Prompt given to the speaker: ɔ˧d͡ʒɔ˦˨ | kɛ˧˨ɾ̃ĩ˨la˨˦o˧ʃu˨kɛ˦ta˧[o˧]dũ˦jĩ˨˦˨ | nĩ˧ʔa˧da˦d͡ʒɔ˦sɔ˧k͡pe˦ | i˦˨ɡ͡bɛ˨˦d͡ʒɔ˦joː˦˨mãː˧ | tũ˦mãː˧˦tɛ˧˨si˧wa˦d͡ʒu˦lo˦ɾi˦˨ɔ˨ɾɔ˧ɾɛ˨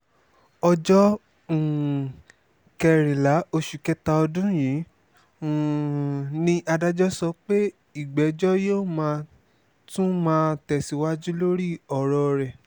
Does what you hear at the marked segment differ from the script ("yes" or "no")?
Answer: yes